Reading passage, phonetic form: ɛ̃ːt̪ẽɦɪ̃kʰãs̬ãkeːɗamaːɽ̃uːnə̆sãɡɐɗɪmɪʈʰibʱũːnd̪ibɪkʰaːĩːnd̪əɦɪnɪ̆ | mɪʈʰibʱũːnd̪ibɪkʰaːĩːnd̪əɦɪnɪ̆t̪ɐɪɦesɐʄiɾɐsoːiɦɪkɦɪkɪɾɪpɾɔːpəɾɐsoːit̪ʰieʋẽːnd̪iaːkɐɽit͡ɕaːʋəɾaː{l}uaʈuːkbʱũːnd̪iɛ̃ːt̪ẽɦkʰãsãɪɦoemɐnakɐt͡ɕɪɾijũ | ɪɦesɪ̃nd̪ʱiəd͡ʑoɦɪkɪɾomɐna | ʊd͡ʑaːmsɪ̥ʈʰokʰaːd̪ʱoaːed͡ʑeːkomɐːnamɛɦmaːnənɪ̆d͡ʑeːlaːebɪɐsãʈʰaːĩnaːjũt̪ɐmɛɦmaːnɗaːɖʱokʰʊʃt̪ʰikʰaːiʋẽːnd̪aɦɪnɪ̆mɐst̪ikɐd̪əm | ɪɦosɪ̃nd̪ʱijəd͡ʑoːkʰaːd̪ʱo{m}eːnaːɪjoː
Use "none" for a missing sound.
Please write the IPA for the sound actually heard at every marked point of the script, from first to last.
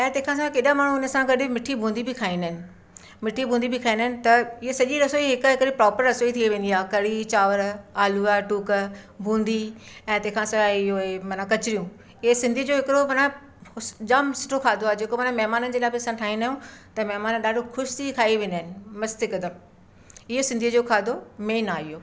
l, m

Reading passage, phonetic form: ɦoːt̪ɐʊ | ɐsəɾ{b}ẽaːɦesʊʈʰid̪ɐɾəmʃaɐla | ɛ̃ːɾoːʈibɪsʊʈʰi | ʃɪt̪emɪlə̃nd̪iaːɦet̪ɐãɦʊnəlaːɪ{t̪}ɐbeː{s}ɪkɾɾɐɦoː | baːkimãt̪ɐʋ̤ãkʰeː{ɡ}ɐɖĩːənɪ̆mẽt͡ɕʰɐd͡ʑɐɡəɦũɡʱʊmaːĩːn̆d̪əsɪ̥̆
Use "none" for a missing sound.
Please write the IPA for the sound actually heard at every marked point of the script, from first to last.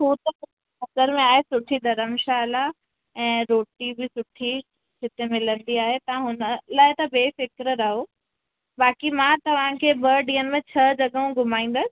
m, t̪, f, b

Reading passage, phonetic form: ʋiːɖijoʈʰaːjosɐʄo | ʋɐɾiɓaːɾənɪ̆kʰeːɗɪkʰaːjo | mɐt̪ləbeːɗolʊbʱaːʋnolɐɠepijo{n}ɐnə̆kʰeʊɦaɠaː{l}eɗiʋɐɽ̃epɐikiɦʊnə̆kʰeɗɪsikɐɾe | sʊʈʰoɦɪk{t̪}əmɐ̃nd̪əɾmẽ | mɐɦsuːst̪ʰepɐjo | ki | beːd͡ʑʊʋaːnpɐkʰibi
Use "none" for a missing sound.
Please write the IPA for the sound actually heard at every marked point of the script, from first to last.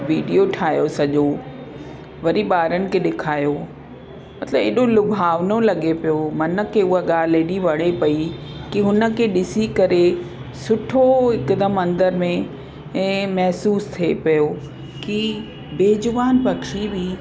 m, l, d̪

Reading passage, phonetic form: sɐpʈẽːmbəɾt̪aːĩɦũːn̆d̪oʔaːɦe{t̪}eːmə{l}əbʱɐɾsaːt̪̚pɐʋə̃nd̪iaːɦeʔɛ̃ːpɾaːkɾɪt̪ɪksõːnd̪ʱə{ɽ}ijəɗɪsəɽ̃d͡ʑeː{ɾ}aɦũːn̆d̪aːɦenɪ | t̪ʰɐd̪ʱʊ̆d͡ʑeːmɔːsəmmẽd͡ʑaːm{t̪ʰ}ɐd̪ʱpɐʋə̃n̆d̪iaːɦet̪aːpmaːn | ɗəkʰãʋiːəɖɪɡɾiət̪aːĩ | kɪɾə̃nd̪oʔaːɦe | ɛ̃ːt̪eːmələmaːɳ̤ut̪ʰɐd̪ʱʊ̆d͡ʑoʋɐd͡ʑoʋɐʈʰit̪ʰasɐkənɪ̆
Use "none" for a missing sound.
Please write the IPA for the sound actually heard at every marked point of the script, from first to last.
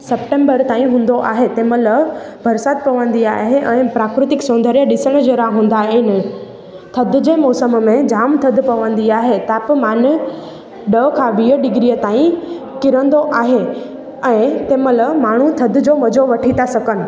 t̪, l, ɾ, ɾ, t̪ʰ

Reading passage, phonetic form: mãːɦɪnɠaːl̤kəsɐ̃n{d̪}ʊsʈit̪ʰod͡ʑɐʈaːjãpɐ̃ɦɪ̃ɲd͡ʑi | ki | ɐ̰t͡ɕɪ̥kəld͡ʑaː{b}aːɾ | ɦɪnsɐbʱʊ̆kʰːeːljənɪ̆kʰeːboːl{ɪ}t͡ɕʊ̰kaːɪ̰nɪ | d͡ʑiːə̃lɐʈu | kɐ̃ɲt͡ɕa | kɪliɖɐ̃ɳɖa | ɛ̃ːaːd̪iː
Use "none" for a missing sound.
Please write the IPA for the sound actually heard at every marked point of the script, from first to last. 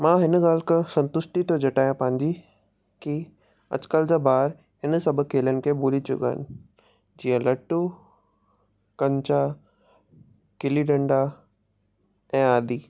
t̪, b, i

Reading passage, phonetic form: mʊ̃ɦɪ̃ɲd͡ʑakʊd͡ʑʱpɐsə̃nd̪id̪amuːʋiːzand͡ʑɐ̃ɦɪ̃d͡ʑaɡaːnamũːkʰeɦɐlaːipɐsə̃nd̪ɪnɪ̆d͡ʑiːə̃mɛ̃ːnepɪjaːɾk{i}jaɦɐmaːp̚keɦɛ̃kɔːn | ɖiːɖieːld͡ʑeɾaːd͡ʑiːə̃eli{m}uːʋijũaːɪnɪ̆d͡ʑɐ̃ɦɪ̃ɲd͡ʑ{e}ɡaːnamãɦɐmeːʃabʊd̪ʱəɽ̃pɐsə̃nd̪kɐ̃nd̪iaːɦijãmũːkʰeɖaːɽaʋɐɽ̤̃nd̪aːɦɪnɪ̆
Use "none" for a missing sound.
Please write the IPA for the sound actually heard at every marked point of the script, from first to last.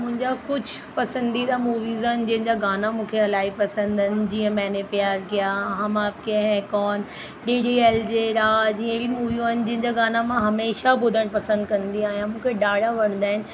i, m, a

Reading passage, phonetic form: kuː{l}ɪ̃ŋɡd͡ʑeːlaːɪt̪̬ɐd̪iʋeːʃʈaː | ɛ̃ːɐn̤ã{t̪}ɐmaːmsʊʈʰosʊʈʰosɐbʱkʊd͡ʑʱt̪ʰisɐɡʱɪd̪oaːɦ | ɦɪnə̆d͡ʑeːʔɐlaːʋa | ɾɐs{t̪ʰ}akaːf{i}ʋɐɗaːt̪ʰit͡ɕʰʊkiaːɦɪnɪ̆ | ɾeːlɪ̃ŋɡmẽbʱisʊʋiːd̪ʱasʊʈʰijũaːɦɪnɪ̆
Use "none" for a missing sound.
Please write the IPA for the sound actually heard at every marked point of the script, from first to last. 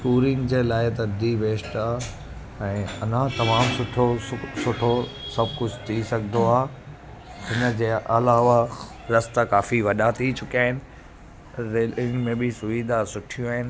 ɾ, t̪, t̪, i

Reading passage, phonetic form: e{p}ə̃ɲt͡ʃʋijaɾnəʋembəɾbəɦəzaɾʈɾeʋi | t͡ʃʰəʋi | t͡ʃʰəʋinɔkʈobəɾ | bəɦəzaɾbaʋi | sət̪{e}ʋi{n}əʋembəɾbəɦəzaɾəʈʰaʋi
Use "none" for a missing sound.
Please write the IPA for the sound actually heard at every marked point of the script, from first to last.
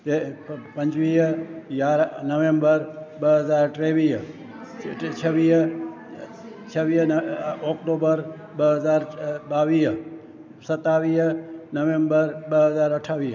p, a, n

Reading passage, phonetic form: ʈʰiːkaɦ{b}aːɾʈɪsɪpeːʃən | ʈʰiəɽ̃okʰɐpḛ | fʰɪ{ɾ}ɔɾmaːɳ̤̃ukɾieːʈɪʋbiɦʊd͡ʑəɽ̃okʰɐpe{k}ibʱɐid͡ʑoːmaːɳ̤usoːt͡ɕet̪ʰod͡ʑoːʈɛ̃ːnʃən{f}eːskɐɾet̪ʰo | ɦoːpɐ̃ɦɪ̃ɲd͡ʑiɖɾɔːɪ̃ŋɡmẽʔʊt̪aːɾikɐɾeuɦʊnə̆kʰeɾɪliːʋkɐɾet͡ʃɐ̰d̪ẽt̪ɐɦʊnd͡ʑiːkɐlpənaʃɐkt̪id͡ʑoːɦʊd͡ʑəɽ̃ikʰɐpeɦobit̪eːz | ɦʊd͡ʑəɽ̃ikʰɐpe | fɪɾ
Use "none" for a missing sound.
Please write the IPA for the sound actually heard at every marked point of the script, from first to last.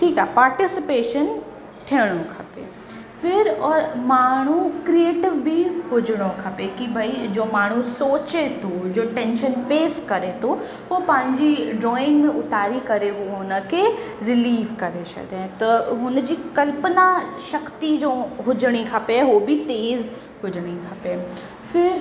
p, ɾ, k, f

